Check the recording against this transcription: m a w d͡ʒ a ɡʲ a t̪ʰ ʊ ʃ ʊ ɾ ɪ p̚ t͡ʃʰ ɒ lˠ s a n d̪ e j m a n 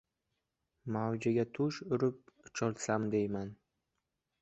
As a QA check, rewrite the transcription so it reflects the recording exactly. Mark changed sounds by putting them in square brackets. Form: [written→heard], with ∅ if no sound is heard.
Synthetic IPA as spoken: m a w d͡ʒ a ɡʲ a t̪ʰ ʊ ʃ ʊ ɾ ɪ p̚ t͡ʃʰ ɒ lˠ s a [n→m] d̪ e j m a n

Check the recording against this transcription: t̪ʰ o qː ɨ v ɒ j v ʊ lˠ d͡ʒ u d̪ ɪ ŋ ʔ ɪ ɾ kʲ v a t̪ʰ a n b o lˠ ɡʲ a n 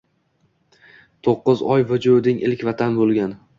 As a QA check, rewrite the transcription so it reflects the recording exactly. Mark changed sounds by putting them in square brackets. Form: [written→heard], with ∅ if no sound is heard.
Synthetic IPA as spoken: t̪ʰ o qː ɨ [v→z] ɒ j v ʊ [lˠ→∅] d͡ʒ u d̪ ɪ ŋ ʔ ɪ [ɾ→l] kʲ v a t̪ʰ a n b o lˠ ɡʲ a n

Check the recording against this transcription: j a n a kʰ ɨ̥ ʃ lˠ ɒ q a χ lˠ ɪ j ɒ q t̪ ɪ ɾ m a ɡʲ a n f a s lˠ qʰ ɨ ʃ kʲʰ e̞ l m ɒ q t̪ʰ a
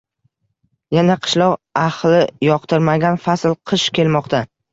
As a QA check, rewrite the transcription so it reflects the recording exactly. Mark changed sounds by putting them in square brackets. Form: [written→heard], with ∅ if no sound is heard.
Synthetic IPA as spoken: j a n a [kʰ→qʰ] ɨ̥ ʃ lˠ ɒ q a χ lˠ ɪ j ɒ q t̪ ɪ ɾ m a ɡʲ a n f a s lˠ qʰ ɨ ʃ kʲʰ e̞ l m ɒ q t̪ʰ a

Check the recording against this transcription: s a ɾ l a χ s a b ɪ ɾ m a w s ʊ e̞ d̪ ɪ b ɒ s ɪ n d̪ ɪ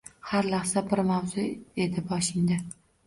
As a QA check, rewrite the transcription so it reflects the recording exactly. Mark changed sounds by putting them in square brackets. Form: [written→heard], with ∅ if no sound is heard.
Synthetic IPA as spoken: [s→h] a ɾ l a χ s a b ɪ ɾ m a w [s→z] ʊ e̞ d̪ ɪ b ɒ [s→ʃ] ɪ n d̪ ɪ

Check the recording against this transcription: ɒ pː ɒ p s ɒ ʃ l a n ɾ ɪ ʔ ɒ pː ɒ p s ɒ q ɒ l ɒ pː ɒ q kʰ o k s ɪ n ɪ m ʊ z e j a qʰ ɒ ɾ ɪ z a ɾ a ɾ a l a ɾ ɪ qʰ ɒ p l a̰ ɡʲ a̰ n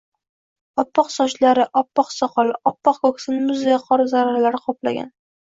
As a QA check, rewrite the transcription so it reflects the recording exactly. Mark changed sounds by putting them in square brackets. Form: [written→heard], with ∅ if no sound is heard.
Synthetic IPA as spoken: ɒ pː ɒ [p→q] s ɒ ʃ l a [n→∅] ɾ ɪ ʔ ɒ pː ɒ [p→q] s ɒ q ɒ l ɒ pː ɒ q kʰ o k s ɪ n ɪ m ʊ z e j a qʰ ɒ ɾ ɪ z a ɾ a ɾ a l a ɾ ɪ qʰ ɒ p l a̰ ɡʲ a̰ n

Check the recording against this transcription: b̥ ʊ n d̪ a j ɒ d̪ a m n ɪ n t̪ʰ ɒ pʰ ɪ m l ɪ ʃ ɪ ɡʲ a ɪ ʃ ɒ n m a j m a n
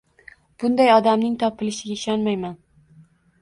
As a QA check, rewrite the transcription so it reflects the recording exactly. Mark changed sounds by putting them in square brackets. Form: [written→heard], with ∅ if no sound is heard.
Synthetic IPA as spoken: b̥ ʊ n d̪ a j ɒ d̪ a m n ɪ [n→ŋ] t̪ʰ ɒ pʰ ɪ [m→∅] l ɪ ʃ ɪ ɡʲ a ɪ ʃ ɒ n m a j m a n

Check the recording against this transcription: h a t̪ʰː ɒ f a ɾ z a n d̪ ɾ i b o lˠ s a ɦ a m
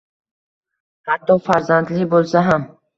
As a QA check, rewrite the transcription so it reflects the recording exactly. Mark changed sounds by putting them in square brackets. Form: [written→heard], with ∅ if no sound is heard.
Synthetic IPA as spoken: h a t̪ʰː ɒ f a ɾ z a n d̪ [ɾ→l] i b o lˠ s a ɦ a m

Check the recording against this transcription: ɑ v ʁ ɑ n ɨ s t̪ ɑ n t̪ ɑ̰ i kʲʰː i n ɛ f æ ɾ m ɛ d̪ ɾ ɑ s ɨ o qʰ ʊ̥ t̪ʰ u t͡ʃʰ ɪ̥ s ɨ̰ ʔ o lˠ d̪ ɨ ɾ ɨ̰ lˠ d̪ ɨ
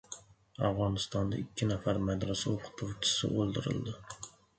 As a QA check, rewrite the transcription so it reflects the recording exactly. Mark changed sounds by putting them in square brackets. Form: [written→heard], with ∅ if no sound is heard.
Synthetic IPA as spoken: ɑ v ʁ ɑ n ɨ s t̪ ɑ n [t̪→d̪] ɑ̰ i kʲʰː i n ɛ f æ ɾ m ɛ d̪ ɾ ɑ s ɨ o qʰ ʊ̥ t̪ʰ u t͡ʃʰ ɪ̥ s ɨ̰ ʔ o lˠ d̪ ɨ ɾ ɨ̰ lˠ d̪ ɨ

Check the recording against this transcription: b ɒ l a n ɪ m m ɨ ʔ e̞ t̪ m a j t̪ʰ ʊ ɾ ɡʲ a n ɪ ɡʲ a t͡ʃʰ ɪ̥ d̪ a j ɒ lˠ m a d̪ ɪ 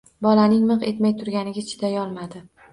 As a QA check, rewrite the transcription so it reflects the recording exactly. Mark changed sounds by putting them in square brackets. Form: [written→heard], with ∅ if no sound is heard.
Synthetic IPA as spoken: b ɒ l a n ɪ [m→ŋ] m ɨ [ʔ→q] e̞ t̪ m a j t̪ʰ ʊ ɾ ɡʲ a n ɪ ɡʲ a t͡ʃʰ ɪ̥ d̪ a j ɒ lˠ m a d̪ ɪ

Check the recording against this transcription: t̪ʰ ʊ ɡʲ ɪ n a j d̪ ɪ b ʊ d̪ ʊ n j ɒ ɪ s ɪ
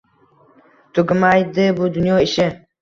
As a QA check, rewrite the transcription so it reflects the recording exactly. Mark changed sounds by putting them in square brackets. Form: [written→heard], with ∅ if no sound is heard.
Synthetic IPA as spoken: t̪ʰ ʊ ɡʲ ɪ [n→m] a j d̪ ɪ b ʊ d̪ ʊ n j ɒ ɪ [s→ʃ] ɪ

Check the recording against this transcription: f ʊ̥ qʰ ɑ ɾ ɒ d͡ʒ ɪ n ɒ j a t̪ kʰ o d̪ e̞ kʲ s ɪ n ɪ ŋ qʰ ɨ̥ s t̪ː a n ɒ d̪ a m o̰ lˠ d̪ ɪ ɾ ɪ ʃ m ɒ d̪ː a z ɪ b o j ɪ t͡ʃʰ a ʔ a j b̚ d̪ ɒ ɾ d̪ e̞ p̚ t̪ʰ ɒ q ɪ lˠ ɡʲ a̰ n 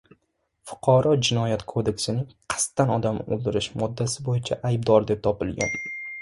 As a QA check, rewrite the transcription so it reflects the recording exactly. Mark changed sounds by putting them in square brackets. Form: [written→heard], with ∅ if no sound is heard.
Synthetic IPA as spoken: f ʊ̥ qʰ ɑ ɾ ɒ d͡ʒ ɪ n ɒ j a t̪ kʰ o d̪ e̞ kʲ s ɪ n ɪ ŋ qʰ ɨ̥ s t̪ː a n ɒ d̪ a m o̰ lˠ d̪ ɪ ɾ ɪ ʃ m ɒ d̪ː a [z→s] ɪ b o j ɪ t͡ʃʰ a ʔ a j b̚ d̪ ɒ ɾ d̪ e̞ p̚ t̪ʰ ɒ [q→p] ɪ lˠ ɡʲ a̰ n

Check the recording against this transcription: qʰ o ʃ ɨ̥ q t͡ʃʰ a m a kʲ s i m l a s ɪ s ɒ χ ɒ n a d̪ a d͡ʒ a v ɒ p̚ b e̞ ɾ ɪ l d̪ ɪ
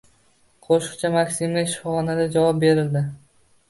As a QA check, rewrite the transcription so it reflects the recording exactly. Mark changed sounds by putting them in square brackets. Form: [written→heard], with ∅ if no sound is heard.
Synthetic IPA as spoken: qʰ o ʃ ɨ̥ q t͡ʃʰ a m a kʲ s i m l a [s→ʃ] ɪ [s→f] ɒ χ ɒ n a d̪ a d͡ʒ a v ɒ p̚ b e̞ ɾ ɪ l d̪ ɪ

